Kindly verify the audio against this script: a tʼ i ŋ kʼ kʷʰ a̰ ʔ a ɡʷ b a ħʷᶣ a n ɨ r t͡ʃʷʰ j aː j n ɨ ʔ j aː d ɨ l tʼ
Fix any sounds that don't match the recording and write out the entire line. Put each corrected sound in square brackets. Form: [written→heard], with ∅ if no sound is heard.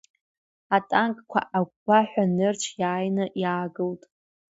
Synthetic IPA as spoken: a tʼ [i→a] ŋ kʼ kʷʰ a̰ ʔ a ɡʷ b a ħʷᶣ a n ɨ r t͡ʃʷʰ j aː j n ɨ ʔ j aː [d→ɡ] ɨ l tʼ